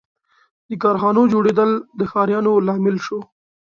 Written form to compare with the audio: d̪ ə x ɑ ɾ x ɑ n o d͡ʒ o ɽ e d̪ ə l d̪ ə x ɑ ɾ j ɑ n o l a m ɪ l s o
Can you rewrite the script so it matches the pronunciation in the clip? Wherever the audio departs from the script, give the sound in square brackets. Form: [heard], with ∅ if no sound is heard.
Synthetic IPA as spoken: d̪ ə [k] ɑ ɾ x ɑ n o d͡ʒ o ɽ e d̪ ə l d̪ ə x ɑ ɾ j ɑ n o l [ɑ] m ɪ l [ʃ] o